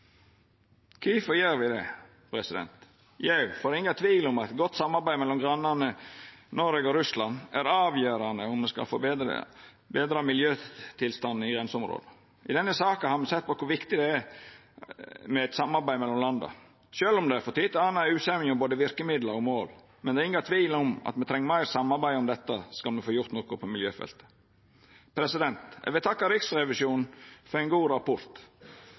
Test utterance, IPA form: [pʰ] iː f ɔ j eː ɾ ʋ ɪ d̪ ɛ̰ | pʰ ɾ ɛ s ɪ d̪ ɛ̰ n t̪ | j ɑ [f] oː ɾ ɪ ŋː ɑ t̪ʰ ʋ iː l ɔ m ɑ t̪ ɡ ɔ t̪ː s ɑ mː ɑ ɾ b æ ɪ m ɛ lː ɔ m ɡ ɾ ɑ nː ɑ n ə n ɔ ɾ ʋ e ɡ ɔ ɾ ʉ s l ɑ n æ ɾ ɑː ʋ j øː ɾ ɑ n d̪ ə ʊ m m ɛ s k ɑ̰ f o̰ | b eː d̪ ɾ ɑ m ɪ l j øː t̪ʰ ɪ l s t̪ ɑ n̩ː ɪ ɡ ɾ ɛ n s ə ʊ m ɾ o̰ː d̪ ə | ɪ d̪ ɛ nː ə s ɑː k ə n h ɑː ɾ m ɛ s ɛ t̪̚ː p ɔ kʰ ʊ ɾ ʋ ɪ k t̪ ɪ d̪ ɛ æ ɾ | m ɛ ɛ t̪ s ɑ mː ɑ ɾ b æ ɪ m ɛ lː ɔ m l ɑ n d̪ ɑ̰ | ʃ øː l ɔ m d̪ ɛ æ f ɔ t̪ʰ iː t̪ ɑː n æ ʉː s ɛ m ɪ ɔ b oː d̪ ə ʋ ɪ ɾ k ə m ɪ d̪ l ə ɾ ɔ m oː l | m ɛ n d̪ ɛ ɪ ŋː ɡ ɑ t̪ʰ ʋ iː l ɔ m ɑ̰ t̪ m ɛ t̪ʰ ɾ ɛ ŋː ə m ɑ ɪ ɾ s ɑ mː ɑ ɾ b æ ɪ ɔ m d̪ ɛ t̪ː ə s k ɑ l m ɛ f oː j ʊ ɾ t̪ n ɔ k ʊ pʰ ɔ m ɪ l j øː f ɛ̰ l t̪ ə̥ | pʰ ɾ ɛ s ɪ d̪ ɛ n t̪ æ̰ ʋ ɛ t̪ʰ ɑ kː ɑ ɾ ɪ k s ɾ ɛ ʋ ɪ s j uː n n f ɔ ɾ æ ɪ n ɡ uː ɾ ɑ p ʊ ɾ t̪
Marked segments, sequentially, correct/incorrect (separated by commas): incorrect, correct